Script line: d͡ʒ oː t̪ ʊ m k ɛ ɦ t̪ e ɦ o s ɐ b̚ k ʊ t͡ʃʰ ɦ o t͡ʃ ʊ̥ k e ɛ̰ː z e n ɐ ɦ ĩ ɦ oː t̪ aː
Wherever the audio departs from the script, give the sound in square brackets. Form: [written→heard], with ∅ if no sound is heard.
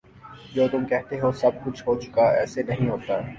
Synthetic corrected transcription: d͡ʒ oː t̪ ʊ m k ɛ ɦ t̪ e ɦ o s ɐ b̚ k ʊ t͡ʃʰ ɦ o t͡ʃ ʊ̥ k [e→a] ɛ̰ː [z→s] e n ɐ ɦ ĩ ɦ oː t̪ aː